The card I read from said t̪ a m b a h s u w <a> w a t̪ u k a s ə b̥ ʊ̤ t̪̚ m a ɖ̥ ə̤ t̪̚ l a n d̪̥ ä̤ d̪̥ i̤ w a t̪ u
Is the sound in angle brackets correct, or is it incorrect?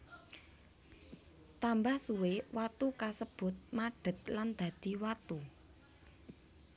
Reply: incorrect